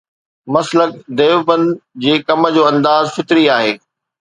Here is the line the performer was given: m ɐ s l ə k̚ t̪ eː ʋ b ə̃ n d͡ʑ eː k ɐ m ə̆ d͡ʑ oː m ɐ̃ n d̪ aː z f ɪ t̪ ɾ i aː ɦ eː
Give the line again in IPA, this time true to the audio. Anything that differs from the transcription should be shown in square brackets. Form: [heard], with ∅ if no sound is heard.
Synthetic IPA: m ɐ s l ə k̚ [d̪] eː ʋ b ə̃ n d͡ʑ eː k ɐ m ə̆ d͡ʑ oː [∅] ɐ̃ n d̪ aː z f ɪ t̪ ɾ i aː ɦ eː